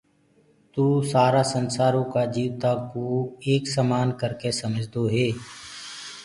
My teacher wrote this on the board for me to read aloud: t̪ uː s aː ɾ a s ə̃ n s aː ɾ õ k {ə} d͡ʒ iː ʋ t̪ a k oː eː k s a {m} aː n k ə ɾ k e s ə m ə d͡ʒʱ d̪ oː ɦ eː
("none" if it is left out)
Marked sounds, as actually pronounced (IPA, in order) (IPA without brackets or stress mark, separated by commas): a, m